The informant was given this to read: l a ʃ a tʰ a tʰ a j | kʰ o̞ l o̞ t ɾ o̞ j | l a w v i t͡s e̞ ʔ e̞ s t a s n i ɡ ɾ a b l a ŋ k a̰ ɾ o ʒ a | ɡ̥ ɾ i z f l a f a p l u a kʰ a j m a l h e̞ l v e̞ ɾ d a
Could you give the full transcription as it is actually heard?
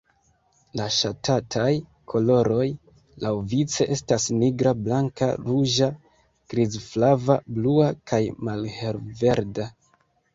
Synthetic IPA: l a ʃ a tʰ a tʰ a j | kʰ o̞ l o̞ ɾ o̞ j | l a w v i t͡s e̞ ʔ e̞ s t a s n i ɡ ɾ a b l a ŋ k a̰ ɾ u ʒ a | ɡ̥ ɾ i z f l a v a b l u a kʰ a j m a l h e̞ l v e̞ ɾ d a